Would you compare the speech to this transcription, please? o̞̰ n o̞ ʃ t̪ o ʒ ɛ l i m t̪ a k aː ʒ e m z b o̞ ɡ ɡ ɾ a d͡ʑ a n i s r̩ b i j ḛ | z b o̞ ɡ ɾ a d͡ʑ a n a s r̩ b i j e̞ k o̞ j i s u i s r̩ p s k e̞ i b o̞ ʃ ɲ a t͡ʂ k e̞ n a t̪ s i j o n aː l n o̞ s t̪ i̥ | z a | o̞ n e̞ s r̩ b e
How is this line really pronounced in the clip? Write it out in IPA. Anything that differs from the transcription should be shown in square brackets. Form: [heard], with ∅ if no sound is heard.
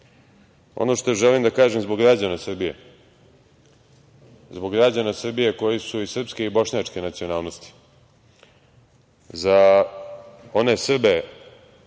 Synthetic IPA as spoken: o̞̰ n o̞ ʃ t̪ o ʒ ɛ l i m [d̪] a k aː ʒ e m z b o̞ ɡ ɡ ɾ a d͡ʑ a n [a] s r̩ b i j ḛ | z b o̞ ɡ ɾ a d͡ʑ a n a s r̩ b i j e̞ k o̞ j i s u i s r̩ p s k e̞ i b o̞ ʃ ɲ a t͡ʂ k e̞ n a t̪ s i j o n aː l n o̞ s t̪ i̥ | z a | o̞ n e̞ s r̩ b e

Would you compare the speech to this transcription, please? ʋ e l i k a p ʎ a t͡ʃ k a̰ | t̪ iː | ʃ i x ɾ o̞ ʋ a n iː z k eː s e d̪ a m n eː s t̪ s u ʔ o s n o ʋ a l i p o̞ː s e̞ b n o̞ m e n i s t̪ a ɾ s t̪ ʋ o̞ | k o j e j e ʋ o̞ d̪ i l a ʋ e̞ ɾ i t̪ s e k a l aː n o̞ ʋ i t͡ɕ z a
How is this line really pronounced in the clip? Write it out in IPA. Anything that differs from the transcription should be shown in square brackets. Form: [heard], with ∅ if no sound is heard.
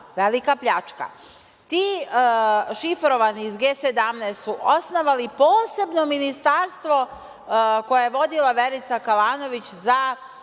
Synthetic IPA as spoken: ʋ e l i k a p ʎ a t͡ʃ k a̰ | t̪ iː | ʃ i [f] ɾ o̞ ʋ a n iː z [ɡ] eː s e d̪ a m n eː s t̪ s u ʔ o s n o ʋ a l i p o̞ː s e̞ b n o̞ m [i] n i s t̪ a ɾ s t̪ ʋ o̞ | k o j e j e ʋ o̞ d̪ i l a ʋ e̞ ɾ i t̪ s [a] k a l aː n o̞ ʋ i t͡ɕ z a

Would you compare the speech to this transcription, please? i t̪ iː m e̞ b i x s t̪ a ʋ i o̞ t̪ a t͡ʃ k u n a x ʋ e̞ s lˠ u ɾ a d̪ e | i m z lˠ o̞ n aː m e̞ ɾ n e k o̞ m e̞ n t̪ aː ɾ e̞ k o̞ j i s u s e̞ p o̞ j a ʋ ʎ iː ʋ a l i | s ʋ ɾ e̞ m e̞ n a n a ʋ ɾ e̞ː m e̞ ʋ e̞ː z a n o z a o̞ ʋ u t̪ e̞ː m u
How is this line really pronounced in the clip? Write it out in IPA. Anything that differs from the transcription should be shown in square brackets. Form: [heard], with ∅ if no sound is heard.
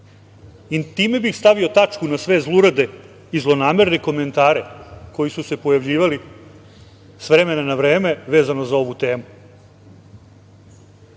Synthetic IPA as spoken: i t̪ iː m e̞ b i x s t̪ a ʋ i o̞ t̪ a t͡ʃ k u n a [s] ʋ e̞ [z] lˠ u ɾ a d̪ e | i [∅] z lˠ o̞ n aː m e̞ ɾ n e k o̞ m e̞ n t̪ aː ɾ e̞ k o̞ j i s u s e̞ p o̞ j a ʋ ʎ iː ʋ a l i | s ʋ ɾ e̞ m e̞ n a n a ʋ ɾ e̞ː m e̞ ʋ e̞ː z a n o z a o̞ ʋ u t̪ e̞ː m u

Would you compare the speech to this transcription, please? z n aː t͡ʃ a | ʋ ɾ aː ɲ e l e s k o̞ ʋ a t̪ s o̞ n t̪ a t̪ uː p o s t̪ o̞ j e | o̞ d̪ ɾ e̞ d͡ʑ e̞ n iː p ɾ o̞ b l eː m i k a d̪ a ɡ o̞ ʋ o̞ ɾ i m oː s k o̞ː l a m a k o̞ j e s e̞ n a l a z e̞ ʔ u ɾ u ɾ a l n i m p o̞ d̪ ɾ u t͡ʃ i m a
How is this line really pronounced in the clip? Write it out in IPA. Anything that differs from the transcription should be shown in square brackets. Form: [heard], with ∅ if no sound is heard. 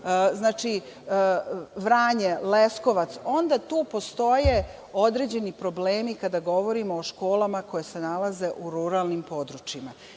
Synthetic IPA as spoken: z n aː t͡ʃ [i] | ʋ ɾ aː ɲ e l e s k o̞ ʋ a t̪ s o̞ n [d̪] a t̪ uː p o s t̪ o̞ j e | o̞ d̪ ɾ e̞ d͡ʑ e̞ n [i] p ɾ o̞ b l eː m i k a d̪ a ɡ o̞ ʋ o̞ ɾ i m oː [ʃ] k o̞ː l a m a k o̞ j e s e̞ n a l a z e̞ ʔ u ɾ u ɾ a l n i m p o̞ d̪ ɾ u t͡ʃ i m a

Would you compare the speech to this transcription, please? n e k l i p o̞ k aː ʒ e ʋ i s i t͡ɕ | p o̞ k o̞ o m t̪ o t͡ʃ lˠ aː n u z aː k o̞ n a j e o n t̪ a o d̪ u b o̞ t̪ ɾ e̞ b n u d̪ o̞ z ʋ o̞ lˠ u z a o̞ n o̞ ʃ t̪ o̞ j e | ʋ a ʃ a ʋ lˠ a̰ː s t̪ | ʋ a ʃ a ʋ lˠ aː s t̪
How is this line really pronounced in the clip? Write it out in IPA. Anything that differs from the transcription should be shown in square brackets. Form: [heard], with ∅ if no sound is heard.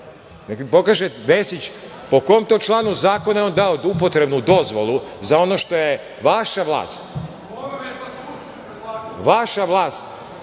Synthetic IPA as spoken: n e k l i p o̞ k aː ʒ e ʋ [e] s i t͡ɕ | p o̞ k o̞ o m t̪ o t͡ʃ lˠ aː n u z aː k o̞ n a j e o n [d̪] a o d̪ u [p] o̞ t̪ ɾ e̞ b n u d̪ o̞ z ʋ o̞ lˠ u z a o̞ n o̞ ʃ t̪ o̞ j e | ʋ a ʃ a ʋ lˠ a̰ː s t̪ | ʋ a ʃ a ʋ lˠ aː s t̪

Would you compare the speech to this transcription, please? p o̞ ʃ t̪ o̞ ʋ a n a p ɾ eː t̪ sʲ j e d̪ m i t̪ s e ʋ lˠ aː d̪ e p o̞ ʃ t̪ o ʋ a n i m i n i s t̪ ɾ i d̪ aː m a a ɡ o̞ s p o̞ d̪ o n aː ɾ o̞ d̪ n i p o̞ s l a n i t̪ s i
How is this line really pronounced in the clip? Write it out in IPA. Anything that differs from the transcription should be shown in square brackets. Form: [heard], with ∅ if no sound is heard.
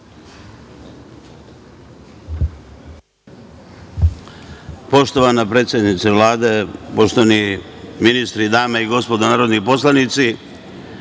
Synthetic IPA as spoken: p o̞ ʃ t̪ o̞ ʋ a n a p ɾ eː t̪ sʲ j e d̪ [n] i t̪ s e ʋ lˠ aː d̪ e p o̞ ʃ t̪ o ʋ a n i m i n i s t̪ ɾ i d̪ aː m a [i] ɡ o̞ s p o̞ d̪ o n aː ɾ o̞ d̪ n i p o̞ s l a n i t̪ s i

